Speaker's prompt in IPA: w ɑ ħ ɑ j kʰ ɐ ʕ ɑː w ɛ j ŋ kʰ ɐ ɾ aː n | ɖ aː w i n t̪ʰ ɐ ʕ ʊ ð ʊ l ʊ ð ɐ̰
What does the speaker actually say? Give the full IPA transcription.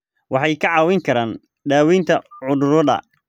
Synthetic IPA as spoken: w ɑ ħ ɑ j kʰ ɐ ʕ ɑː w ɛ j ŋ kʰ ɐ ɾ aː n | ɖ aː w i n t̪ʰ ɐ ʕ ʊ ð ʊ ɾ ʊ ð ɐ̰